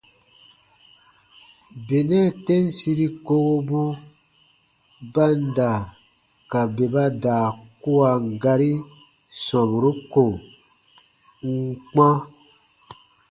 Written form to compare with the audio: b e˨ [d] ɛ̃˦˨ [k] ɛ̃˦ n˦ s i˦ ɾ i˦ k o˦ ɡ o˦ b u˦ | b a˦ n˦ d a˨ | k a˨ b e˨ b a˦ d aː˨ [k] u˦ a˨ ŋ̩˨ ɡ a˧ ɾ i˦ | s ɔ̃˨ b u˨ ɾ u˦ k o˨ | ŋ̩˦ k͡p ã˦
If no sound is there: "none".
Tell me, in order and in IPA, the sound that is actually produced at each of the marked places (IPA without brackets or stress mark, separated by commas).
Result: n, t, k